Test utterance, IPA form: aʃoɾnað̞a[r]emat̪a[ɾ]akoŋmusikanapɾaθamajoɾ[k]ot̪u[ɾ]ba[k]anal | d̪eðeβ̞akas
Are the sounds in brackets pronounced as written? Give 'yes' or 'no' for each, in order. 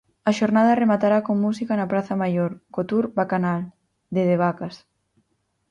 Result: yes, yes, yes, yes, yes

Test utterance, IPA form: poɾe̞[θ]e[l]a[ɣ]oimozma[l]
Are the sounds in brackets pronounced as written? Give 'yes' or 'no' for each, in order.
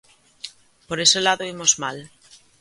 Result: no, yes, no, yes

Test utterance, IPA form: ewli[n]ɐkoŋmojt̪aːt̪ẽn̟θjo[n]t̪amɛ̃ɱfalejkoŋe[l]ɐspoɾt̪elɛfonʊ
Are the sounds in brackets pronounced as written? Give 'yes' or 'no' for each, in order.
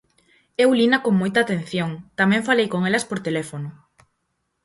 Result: yes, no, yes

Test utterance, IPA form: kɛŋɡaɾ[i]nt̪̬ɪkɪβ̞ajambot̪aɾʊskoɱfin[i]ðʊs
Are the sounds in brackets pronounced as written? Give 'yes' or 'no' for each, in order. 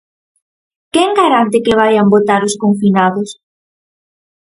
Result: no, no

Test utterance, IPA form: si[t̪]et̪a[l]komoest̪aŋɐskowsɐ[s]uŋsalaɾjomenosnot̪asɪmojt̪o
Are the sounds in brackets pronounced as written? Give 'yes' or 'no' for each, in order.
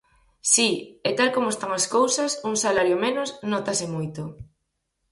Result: no, yes, yes

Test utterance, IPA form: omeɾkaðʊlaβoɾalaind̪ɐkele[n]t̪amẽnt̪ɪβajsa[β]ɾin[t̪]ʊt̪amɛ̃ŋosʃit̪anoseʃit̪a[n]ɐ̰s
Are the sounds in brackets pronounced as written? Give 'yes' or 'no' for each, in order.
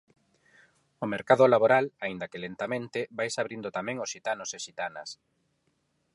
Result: yes, yes, no, yes

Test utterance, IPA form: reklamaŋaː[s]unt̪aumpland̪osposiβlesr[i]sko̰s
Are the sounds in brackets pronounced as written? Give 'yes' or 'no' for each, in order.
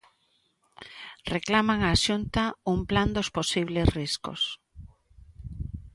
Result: no, yes

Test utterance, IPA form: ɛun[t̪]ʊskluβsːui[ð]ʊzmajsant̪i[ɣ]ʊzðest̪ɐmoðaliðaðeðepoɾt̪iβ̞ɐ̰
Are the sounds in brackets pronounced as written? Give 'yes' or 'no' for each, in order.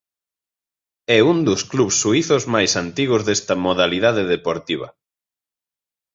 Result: no, no, yes

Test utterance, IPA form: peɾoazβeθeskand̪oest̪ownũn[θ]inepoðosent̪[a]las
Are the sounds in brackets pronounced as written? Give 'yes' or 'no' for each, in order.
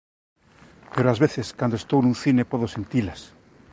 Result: yes, no

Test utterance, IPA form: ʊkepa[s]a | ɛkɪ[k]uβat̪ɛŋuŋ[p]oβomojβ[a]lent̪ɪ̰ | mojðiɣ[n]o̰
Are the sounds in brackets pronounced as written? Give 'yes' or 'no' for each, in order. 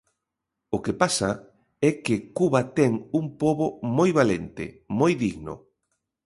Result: yes, yes, yes, yes, yes

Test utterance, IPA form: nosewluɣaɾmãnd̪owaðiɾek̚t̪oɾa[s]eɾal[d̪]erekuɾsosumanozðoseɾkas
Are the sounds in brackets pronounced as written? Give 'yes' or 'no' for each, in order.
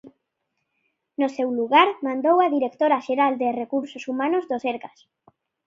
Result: no, yes

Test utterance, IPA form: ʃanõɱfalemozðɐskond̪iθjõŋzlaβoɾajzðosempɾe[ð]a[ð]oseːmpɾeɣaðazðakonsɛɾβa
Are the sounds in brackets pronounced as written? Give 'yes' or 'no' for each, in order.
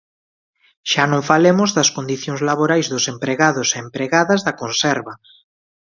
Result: no, yes

